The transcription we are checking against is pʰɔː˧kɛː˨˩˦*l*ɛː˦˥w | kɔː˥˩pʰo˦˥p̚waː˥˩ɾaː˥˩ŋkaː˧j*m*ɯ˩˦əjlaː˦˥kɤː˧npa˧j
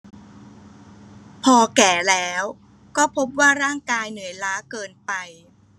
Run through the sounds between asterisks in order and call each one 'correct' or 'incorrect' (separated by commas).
correct, incorrect